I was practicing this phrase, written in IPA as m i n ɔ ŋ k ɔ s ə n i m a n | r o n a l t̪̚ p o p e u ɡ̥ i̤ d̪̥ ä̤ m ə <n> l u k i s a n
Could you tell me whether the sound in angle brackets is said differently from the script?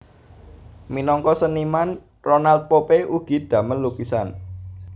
no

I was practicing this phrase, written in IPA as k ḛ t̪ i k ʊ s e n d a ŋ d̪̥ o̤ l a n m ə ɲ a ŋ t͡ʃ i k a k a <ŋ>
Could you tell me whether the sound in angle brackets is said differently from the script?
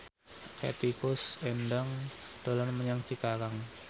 no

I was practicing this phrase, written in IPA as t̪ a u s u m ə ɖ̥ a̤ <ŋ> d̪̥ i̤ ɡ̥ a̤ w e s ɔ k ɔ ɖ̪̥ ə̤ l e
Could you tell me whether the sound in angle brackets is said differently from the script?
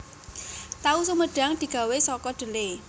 no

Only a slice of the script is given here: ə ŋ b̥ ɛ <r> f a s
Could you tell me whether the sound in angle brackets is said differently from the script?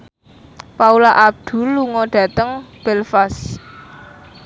yes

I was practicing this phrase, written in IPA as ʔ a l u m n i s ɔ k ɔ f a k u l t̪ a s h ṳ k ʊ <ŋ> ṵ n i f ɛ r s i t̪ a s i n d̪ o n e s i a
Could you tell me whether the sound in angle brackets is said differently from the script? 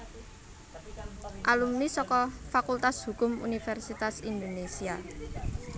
yes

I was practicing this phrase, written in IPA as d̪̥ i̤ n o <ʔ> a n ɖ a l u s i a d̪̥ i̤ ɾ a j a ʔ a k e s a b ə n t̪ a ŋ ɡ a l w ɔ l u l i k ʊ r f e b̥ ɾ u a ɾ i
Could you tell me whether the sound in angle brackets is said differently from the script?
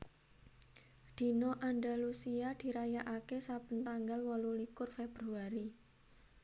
no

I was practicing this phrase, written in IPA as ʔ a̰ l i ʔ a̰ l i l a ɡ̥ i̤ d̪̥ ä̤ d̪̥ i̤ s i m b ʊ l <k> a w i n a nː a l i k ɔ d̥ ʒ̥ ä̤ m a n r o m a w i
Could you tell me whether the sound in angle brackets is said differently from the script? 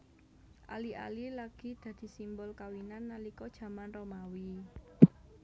no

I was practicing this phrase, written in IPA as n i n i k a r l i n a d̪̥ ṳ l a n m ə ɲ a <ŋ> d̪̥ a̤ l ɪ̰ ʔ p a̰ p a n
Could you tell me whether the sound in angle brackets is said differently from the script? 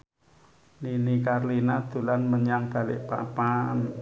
no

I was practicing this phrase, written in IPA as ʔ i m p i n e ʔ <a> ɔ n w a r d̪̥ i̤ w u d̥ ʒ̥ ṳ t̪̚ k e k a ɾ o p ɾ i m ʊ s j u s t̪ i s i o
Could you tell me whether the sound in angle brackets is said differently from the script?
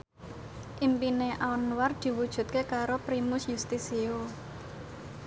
no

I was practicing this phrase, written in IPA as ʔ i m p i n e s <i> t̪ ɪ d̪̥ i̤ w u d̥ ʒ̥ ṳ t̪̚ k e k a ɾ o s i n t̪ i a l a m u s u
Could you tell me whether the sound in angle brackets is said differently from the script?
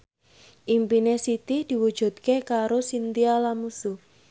no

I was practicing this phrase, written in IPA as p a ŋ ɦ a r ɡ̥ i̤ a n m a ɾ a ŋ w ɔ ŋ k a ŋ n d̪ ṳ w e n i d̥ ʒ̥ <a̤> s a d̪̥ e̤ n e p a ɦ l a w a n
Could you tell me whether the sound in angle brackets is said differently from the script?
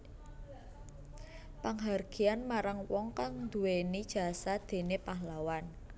no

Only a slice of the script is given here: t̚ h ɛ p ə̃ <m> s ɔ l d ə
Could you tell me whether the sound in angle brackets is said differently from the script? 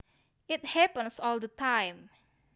yes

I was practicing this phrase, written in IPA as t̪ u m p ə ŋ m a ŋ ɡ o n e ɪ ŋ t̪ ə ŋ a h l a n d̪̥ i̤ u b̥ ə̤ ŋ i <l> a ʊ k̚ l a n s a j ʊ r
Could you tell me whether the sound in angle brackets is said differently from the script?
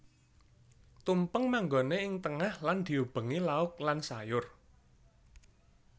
no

